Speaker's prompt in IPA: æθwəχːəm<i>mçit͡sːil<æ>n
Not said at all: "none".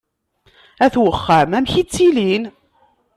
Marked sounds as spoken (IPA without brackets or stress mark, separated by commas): æ, i